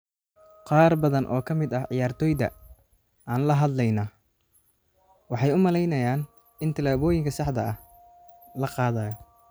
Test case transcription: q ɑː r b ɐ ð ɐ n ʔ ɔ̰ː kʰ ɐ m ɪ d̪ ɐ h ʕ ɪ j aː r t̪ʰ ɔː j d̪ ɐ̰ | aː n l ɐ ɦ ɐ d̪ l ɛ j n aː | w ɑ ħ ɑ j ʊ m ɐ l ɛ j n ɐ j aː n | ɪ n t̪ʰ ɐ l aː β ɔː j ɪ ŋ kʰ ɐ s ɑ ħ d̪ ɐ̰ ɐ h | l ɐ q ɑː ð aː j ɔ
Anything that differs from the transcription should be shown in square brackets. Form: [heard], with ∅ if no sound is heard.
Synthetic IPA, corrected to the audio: q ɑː r b ɐ ð ɐ n ʔ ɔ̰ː kʰ ɐ m ɪ d̪ ɐ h ʕ ɪ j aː r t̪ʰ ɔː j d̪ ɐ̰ | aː n l ɐ ɦ ɐ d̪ l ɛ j n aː | w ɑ ħ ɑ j ʊ m ɐ l ɛ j n ɐ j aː n | ɪ n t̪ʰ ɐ l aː β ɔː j ɪ ŋ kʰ ɐ s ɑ ħ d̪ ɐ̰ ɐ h | l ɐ q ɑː ð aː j ɔ